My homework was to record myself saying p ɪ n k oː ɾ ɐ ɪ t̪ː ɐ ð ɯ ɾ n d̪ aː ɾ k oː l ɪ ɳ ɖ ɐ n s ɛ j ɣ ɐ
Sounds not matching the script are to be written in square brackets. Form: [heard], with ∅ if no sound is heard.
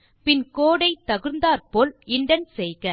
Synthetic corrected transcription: p ɪ n k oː [ɽ] ɐ ɪ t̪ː ɐ [ɣ] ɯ ɾ n d̪ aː ɾ [p] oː l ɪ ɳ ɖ ɐ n s ɛ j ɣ ɐ